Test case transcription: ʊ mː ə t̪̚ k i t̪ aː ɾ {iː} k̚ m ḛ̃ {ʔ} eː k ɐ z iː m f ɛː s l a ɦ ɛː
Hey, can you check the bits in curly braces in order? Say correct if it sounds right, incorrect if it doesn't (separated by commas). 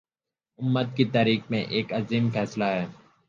correct, correct